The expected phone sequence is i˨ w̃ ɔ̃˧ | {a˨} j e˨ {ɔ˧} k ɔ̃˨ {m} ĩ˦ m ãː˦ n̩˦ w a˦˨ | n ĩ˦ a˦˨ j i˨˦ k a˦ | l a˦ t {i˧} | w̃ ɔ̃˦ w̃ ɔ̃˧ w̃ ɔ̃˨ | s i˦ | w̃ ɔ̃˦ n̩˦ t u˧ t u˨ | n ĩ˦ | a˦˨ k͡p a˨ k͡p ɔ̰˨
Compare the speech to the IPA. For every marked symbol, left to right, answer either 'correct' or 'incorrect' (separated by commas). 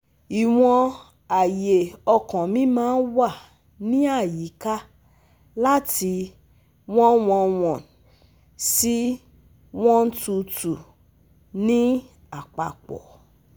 correct, correct, correct, correct